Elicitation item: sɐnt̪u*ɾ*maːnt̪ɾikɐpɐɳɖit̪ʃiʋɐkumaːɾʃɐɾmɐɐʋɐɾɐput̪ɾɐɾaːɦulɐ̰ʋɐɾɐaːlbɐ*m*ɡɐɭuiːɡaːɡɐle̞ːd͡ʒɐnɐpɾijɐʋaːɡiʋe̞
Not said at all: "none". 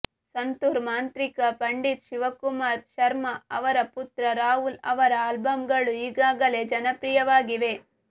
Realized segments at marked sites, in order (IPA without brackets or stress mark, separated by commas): ɾ, m